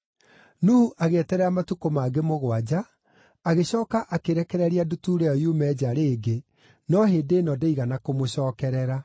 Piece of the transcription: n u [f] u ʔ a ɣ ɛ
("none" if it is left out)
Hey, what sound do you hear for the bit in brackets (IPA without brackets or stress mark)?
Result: h